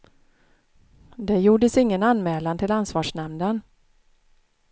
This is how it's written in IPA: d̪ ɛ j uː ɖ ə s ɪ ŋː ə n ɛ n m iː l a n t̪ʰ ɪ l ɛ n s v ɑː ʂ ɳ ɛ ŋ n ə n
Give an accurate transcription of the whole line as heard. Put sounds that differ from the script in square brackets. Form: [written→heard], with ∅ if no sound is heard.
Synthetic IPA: d̪ ɛ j uː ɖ ə s ɪ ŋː ə n [ɛ→a] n m [iː→ɛː] l a n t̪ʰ ɪ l [ɛ→a] n s v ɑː ʂ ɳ ɛ [ŋ→m] n ə n